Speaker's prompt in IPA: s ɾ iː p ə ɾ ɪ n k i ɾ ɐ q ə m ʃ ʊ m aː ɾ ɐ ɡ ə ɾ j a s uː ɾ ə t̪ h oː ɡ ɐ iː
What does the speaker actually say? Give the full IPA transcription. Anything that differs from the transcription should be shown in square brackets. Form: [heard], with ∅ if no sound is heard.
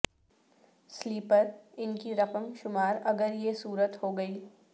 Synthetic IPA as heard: s [l] iː p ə ɾ ɪ n k i ɾ ɐ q ə m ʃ ʊ m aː ɾ ɐ ɡ ə ɾ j [e] s uː ɾ ə t̪ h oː ɡ ɐ iː